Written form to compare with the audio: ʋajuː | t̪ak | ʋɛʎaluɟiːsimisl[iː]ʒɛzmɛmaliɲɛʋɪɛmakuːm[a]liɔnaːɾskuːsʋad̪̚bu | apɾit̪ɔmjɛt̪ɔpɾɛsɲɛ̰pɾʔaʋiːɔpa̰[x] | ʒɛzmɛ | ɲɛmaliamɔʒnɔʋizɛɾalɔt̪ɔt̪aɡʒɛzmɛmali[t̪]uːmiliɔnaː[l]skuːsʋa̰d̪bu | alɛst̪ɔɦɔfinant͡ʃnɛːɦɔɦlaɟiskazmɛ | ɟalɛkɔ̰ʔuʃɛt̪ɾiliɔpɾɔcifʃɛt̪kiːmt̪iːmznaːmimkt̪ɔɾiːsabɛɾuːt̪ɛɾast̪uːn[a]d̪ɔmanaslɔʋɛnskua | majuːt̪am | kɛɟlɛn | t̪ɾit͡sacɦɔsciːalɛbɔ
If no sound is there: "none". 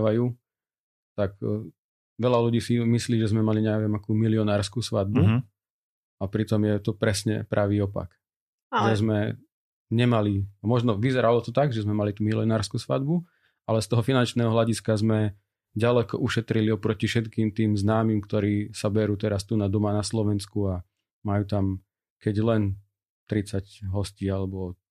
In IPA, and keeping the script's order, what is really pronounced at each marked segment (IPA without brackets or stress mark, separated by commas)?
iː, i, k, t̪, ɾ, a